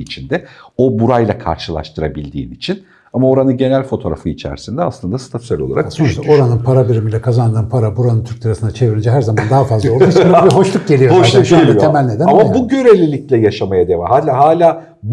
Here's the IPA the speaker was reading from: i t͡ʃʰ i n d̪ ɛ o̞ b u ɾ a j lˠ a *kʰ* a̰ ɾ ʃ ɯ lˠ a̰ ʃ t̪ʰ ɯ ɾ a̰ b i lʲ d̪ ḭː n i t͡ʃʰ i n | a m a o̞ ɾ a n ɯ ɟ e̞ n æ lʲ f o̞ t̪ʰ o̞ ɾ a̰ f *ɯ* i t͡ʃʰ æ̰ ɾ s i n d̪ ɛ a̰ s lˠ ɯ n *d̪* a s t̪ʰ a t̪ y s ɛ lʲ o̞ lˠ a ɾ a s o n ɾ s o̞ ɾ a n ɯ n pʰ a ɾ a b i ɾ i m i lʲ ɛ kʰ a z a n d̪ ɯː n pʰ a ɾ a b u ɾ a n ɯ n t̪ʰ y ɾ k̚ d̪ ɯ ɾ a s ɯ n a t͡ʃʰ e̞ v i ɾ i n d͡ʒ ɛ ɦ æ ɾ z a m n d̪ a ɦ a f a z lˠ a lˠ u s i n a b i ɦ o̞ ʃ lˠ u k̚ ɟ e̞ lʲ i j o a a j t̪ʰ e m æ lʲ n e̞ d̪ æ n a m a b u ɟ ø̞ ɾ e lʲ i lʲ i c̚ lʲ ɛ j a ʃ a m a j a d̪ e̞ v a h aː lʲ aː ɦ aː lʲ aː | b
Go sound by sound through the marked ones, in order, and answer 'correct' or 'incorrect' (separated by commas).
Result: correct, correct, correct